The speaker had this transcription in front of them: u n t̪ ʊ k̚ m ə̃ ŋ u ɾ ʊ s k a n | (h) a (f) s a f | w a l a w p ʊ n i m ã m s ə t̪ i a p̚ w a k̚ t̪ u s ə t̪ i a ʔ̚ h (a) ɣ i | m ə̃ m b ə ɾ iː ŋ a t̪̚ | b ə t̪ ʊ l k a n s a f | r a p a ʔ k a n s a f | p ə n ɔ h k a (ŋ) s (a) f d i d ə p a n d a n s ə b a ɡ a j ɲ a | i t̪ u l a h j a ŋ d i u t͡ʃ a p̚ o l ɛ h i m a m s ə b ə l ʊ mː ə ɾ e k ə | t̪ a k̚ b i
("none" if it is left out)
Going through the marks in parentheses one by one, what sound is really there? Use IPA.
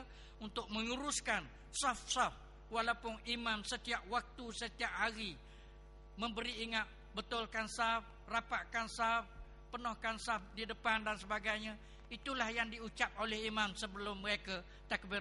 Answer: s, f, a, n, a

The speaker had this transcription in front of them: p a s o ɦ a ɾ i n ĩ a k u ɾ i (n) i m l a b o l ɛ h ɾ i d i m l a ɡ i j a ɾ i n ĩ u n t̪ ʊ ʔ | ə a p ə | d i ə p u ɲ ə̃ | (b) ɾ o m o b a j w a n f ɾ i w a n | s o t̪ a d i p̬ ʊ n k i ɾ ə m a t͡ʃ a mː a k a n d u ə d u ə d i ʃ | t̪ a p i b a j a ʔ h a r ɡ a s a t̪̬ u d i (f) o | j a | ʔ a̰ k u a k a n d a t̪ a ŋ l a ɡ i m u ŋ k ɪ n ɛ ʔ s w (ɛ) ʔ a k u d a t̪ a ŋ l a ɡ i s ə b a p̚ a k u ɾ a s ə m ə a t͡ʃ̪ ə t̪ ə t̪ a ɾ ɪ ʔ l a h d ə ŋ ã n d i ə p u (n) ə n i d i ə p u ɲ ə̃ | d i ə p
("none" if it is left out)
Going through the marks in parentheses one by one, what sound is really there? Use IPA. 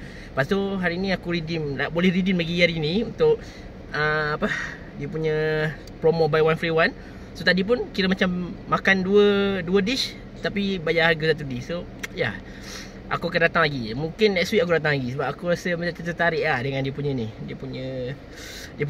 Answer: d, p, s, i, ɲ

